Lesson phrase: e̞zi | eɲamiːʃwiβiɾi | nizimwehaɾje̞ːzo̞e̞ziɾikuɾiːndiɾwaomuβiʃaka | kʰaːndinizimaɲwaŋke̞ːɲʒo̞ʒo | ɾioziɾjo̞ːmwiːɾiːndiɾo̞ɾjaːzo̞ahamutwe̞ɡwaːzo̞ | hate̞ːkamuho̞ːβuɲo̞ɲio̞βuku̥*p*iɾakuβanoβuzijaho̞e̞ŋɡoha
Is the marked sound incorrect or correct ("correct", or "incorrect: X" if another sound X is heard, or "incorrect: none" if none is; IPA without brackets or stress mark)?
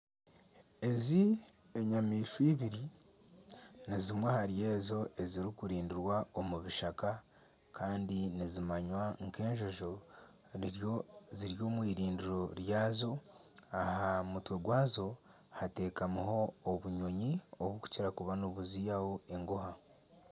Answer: incorrect: c